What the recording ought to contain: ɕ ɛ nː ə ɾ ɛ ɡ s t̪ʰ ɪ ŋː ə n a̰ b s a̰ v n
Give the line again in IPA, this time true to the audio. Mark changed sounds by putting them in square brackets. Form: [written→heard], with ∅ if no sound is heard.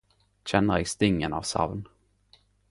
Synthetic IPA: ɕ ɛ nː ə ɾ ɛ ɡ s [t̪ʰ→t̪] ɪ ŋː ə n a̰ [b→v] s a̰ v n